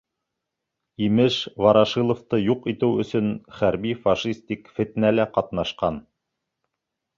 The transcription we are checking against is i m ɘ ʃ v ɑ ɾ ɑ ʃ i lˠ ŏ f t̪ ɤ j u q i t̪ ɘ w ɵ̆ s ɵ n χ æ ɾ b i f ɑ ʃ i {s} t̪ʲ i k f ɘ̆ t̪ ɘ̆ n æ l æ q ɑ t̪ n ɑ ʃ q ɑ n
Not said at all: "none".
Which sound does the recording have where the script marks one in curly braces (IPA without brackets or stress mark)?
s